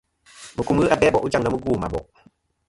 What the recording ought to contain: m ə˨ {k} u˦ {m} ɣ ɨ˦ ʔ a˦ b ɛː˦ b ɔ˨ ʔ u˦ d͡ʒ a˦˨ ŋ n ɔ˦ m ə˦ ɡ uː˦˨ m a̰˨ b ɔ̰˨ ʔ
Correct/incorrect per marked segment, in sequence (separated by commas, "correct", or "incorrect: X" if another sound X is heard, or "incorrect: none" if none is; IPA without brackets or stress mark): correct, correct